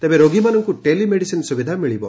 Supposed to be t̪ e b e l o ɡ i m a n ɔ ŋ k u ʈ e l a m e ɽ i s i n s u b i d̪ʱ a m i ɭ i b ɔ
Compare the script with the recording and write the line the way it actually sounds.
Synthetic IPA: t̪ e b e ɾ o ɡ i m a n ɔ ŋ k u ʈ e l i m e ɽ i s i n s u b i d̪ʱ a m i ɭ i b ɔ